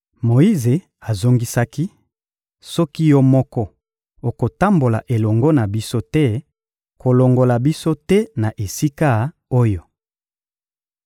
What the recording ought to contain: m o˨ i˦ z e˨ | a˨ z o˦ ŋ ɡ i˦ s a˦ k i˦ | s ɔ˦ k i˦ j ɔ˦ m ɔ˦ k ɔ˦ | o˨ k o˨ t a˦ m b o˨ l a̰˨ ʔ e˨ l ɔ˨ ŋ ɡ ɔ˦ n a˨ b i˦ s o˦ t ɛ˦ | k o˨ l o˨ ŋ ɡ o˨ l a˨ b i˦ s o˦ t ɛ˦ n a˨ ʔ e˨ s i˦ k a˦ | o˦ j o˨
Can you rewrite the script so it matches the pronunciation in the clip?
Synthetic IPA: m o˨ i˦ z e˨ | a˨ z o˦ ŋ ɡ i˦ s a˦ k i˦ | s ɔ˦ k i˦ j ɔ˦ m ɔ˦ k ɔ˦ | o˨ k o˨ t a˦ m b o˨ l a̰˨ ʔ e˨ l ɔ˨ ŋ ɡ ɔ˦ n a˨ b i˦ s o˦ t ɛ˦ | k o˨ l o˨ ŋ ɡ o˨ l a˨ b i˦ s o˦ t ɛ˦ n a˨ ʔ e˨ s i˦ k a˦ | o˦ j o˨